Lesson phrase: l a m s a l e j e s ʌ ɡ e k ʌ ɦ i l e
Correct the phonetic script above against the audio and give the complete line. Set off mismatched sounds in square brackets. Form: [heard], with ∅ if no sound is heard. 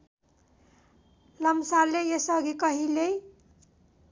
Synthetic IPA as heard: l [ʌ] m s a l e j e s ʌ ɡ [i] k ʌ ɦ i l e